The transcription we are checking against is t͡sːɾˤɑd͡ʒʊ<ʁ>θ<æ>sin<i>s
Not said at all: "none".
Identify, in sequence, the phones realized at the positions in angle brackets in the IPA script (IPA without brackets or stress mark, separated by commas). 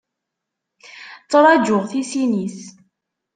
ʁ, i, i